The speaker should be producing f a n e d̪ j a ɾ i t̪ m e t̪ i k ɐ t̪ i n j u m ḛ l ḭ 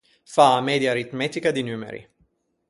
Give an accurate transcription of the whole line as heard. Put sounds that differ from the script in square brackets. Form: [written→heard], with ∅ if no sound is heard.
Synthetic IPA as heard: f a [n→m] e d̪ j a ɾ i t̪ m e t̪ i k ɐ [t̪→d̪] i n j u m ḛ [l→ɾ] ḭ